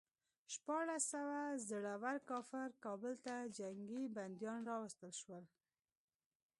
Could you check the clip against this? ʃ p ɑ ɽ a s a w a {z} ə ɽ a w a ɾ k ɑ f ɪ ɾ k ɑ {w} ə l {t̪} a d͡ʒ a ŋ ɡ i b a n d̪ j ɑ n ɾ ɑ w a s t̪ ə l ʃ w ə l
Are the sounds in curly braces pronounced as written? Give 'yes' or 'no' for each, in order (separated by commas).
yes, no, yes